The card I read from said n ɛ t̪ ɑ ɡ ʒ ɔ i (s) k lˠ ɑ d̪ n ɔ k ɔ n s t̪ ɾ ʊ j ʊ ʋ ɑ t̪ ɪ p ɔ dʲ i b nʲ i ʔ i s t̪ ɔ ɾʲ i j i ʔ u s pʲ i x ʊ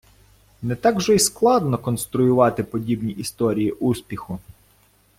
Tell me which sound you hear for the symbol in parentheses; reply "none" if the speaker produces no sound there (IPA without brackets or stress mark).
s